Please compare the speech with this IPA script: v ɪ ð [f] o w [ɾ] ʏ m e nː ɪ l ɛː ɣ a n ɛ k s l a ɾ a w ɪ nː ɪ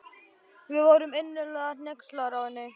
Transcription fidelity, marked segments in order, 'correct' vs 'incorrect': incorrect: v, correct

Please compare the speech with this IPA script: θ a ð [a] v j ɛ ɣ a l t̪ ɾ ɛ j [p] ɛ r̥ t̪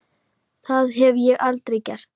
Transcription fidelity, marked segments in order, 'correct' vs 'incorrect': incorrect: ɛ, incorrect: c

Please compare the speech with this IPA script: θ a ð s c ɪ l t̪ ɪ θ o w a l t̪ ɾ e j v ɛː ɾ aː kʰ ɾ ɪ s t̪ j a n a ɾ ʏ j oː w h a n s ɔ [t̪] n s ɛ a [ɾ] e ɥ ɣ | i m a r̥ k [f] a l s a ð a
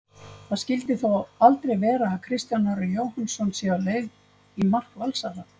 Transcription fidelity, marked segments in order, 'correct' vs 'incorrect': incorrect: none, incorrect: l, incorrect: v

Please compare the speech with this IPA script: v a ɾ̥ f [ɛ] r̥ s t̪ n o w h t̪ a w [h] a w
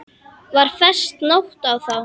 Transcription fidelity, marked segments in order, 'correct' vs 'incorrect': correct, incorrect: θ

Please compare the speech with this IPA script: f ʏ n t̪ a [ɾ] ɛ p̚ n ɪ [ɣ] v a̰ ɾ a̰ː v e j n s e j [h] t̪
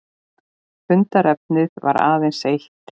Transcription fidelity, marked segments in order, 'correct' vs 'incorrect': correct, incorrect: ð, correct

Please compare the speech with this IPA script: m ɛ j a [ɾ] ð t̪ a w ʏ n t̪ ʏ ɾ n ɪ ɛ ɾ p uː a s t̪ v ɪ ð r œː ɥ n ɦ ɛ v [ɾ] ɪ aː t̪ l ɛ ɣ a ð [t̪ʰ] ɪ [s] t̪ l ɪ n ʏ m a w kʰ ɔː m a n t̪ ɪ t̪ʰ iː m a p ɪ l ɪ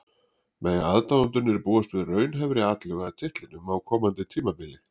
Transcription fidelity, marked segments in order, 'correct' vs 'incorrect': incorrect: none, correct, correct, incorrect: h

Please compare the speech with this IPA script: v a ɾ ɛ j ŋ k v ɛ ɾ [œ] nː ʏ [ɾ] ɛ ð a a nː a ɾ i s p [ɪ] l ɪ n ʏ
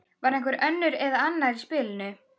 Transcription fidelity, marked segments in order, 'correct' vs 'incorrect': correct, correct, incorrect: ɪː

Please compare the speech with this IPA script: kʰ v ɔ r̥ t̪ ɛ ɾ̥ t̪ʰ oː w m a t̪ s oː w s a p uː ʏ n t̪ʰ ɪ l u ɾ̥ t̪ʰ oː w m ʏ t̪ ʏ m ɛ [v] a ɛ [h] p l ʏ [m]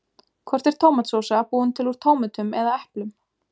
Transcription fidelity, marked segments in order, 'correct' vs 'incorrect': incorrect: ð, correct, correct

